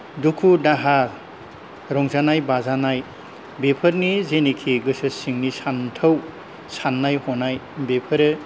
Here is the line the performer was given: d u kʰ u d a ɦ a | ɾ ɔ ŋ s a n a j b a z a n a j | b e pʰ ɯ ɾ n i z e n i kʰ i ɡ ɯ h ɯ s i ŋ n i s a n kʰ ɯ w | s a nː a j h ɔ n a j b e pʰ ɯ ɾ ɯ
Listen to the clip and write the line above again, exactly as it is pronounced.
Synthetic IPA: d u kʰ u d a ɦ a | ɾ ɔ ŋ z a n a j b a z a n a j | b e pʰ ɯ ɾ n i z e n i kʰ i ɡ ɯ s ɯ s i ŋ n i s a n tʰ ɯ w | s a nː a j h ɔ n a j b e pʰ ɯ ɾ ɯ